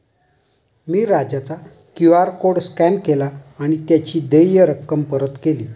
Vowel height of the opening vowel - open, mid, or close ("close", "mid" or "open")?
close